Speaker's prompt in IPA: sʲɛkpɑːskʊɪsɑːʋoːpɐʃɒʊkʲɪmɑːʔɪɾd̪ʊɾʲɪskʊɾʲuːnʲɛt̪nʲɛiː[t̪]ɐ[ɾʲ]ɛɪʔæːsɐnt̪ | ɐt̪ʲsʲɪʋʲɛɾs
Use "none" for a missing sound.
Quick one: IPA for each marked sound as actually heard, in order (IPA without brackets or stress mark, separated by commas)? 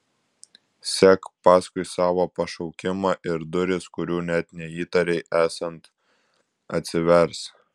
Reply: t̪, ɾʲ